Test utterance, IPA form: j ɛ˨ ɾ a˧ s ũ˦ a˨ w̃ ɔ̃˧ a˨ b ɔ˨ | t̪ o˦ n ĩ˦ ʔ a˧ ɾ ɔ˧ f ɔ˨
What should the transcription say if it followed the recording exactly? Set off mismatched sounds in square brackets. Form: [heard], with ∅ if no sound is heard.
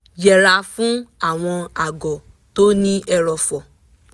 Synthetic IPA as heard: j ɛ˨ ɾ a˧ [f] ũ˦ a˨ w̃ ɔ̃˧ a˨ [ɡ] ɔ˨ | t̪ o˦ n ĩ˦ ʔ [ɛ˧] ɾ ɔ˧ f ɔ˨